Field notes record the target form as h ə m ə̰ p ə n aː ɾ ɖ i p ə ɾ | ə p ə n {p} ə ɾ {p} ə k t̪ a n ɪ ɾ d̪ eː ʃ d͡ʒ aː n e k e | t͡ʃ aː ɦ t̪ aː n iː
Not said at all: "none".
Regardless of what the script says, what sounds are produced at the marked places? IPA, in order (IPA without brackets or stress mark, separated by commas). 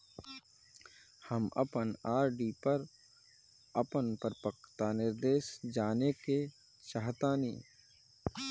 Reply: p, p